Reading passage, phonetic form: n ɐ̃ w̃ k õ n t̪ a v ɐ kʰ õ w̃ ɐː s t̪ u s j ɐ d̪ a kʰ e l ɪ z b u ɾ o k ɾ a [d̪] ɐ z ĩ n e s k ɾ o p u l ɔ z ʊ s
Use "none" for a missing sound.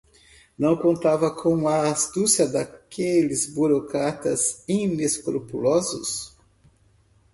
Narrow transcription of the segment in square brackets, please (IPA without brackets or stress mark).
t̪